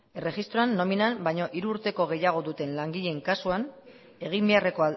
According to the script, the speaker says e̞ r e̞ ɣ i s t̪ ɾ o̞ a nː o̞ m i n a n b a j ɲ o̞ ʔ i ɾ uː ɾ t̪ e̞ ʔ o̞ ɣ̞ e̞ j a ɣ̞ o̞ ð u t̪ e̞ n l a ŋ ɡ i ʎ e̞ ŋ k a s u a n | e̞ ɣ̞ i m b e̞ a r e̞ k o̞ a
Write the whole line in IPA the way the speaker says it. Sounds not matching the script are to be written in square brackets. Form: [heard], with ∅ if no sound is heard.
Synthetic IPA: e̞ r e̞ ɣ i s t̪ ɾ o̞ a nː o̞ m i n a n b a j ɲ o̞ ʔ i ɾ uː ɾ t̪ e̞ [k] o̞ ɣ̞ e̞ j a ɣ̞ o̞ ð u t̪ e̞ n l a ŋ ɡ i ʎ e̞ ŋ k a s u a n | e̞ ɣ̞ i m b e̞ a r e̞ k o̞ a